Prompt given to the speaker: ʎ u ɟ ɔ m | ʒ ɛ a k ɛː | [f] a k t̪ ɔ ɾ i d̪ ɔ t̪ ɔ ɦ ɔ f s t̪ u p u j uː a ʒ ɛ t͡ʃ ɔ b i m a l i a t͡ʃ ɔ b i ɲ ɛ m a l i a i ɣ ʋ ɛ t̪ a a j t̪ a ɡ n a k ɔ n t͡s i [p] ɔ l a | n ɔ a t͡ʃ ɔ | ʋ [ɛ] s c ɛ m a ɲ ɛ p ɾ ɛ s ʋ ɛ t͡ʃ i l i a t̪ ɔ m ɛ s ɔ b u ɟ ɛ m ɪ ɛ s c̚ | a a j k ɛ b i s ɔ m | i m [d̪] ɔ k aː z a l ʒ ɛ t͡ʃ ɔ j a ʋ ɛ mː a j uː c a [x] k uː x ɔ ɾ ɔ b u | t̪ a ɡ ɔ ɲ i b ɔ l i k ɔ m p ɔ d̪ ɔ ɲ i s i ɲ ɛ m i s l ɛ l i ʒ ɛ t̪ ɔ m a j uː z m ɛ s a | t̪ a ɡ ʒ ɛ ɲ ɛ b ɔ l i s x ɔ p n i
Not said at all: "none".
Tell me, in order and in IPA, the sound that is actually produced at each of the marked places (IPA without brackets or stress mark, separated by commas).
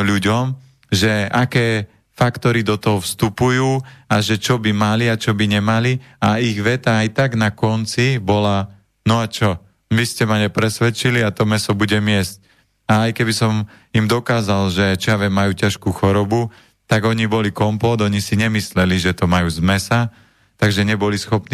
f, b, i, d̪, ʃ